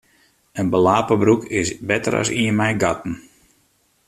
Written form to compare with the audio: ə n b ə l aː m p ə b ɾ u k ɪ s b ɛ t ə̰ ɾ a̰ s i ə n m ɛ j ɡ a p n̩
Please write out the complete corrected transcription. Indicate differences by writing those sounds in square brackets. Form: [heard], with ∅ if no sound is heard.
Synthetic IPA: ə n b ə l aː [∅] p ə b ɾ u k ɪ s b ɛ t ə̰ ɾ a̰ s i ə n m ɛ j ɡ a [t] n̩